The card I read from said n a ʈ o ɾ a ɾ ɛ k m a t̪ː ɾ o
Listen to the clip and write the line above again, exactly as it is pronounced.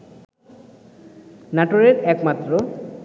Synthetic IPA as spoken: n a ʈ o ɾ e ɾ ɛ k m a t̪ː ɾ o